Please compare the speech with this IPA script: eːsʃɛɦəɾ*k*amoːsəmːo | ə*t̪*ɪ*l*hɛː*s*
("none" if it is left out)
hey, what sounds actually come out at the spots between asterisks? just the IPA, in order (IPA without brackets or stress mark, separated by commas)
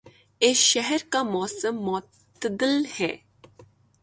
k, d̪, l, none